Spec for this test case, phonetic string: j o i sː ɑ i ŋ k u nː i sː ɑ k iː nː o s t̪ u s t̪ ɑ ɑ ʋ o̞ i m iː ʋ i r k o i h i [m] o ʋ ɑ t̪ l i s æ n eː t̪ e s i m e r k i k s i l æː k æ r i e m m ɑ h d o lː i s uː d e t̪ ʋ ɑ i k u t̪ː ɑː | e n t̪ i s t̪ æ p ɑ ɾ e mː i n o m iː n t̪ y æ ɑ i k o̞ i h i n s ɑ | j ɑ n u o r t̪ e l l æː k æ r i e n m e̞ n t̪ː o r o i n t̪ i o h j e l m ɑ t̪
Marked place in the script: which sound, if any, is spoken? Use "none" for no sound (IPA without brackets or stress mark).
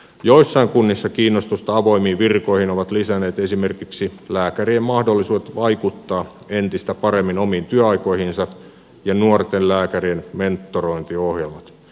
n